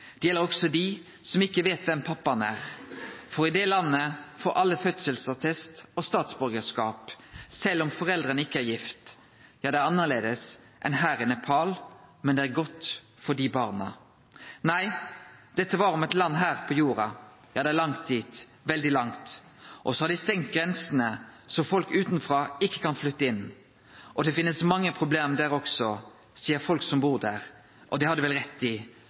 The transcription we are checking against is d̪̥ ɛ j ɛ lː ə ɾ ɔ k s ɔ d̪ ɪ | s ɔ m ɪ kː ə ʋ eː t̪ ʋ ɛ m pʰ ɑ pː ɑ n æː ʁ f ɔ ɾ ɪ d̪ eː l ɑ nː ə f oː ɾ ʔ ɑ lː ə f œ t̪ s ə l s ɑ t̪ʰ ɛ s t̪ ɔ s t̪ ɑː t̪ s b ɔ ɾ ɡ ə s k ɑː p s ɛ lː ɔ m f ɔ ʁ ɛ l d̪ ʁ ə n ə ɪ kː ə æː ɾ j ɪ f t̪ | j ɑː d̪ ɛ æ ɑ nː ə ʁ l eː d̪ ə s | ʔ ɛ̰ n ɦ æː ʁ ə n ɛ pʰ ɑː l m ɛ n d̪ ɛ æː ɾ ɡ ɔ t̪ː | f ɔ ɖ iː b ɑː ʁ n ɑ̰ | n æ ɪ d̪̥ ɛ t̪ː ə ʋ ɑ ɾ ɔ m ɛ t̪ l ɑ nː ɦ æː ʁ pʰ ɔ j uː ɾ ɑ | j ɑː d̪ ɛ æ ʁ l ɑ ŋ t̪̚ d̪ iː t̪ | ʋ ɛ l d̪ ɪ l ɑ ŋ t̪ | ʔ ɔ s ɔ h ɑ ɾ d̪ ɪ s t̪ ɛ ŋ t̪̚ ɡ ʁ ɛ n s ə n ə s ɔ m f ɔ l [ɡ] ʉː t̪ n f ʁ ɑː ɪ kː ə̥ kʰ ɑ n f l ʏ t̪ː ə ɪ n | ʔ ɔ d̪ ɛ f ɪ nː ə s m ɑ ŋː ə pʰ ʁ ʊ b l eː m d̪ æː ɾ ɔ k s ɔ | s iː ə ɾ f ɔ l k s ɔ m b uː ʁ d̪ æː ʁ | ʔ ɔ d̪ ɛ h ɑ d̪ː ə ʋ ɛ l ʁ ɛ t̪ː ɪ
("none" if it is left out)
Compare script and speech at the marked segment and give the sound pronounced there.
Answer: k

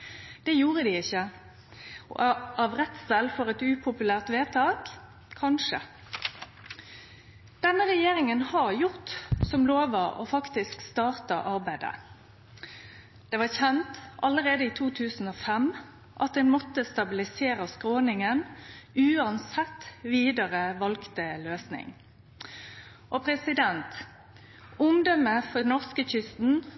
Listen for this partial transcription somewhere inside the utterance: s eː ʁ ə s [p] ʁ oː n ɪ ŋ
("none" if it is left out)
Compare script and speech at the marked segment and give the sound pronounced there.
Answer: k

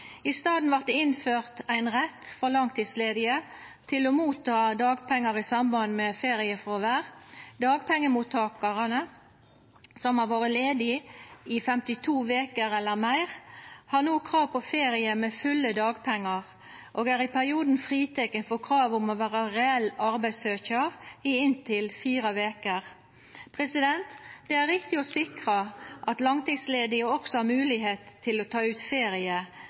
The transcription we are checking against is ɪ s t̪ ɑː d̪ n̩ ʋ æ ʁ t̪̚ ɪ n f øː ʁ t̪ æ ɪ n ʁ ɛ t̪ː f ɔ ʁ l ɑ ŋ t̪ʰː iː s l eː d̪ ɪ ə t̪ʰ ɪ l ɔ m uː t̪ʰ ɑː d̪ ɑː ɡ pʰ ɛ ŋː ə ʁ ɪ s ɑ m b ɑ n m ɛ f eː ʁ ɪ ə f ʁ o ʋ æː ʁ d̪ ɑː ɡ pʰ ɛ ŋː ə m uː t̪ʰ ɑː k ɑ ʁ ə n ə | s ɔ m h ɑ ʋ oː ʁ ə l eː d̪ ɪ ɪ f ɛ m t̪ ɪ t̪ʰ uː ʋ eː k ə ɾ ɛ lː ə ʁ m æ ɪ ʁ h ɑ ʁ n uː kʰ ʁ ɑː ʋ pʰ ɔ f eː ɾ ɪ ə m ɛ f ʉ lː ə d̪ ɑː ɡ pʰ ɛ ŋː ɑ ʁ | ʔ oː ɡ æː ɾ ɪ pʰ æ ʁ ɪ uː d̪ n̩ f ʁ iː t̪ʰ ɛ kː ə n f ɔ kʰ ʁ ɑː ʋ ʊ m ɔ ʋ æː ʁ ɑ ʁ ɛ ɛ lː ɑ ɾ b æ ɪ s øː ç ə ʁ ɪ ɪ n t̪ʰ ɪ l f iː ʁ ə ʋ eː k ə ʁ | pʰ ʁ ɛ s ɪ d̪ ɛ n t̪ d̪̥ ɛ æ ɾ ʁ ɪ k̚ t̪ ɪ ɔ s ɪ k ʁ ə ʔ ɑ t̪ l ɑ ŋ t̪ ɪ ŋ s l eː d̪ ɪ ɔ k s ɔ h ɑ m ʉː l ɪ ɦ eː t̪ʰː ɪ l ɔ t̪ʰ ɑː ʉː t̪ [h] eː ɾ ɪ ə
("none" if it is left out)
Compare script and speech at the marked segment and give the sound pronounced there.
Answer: f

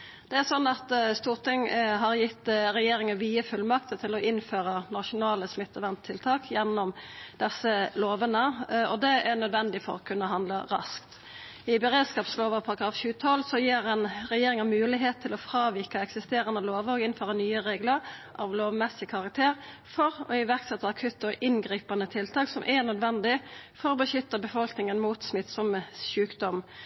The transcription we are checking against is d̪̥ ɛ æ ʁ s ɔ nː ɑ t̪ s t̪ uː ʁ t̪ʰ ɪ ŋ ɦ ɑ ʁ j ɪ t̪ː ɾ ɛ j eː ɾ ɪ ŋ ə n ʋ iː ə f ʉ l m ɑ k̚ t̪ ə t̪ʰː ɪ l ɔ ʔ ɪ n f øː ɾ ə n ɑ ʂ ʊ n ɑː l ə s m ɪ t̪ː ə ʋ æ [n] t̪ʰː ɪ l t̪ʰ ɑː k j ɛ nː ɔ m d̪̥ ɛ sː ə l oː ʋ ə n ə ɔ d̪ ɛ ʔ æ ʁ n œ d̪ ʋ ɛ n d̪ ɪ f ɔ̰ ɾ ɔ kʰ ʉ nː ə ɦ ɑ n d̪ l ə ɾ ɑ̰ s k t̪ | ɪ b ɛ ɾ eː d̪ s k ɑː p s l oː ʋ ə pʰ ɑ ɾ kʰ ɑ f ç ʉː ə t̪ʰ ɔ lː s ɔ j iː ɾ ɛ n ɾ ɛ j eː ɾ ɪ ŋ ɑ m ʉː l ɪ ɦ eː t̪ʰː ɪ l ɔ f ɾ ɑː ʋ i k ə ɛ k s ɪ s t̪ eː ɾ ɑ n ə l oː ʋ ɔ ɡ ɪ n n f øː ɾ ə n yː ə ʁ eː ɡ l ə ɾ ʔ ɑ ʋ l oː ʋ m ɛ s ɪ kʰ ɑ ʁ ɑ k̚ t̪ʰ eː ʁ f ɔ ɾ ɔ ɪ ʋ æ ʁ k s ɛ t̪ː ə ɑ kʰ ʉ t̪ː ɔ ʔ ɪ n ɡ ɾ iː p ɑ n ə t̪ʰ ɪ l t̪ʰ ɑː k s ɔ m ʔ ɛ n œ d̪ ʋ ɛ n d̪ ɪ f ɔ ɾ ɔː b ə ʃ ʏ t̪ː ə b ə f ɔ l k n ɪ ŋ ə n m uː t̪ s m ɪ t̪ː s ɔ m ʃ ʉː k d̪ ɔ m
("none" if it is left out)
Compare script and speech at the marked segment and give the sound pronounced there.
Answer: n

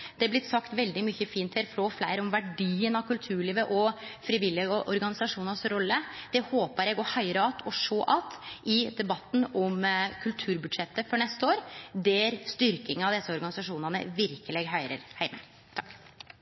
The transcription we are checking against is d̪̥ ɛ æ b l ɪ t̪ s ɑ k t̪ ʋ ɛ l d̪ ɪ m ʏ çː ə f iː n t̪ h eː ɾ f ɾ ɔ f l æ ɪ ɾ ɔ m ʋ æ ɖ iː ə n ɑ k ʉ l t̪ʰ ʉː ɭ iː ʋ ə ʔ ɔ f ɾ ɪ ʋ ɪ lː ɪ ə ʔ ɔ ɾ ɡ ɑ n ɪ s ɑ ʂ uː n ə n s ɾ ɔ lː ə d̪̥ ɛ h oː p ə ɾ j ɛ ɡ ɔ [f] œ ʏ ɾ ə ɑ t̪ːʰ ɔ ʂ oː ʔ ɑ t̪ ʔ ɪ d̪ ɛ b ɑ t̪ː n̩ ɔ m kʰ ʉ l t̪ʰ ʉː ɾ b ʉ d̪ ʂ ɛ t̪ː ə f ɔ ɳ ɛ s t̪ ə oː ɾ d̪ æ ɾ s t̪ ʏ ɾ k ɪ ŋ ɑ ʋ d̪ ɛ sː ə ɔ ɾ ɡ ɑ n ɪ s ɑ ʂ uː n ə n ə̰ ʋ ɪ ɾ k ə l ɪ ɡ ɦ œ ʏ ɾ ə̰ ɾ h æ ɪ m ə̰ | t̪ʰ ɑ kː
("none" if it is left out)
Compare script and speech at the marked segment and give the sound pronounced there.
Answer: h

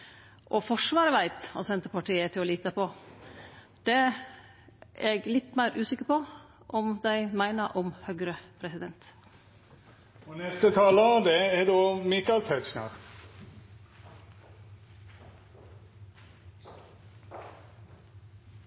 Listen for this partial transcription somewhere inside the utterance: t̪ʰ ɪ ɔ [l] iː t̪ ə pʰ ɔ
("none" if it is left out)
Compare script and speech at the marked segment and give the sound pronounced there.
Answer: l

